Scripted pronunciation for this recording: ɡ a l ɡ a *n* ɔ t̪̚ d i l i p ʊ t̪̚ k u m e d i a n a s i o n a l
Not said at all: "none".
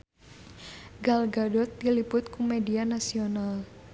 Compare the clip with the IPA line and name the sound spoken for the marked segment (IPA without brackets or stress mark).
d